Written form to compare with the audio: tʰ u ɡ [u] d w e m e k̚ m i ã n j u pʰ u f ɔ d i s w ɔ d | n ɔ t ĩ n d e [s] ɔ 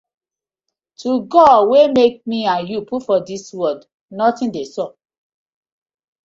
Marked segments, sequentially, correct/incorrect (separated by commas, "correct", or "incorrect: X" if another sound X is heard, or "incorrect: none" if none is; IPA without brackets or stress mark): incorrect: ɔ, correct